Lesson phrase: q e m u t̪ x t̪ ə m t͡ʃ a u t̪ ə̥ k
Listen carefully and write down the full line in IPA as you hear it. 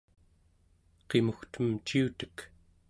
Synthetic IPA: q e m u x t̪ ə m t͡ʃ i u t̪ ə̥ k